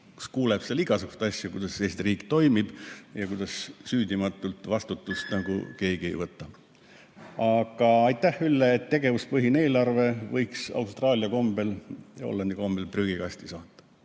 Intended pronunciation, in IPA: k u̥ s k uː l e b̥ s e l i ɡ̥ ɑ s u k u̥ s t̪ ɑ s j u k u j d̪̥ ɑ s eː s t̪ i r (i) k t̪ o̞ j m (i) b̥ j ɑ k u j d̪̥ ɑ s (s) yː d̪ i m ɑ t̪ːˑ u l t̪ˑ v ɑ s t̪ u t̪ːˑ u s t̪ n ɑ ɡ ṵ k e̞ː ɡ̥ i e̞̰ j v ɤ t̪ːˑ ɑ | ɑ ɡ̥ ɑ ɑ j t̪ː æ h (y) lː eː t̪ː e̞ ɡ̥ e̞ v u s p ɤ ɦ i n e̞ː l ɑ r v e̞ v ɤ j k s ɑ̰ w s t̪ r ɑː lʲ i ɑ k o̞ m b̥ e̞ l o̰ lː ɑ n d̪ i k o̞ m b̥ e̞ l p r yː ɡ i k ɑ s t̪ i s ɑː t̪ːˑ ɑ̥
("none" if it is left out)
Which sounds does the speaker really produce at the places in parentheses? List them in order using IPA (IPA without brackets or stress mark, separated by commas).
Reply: iː, i, s, y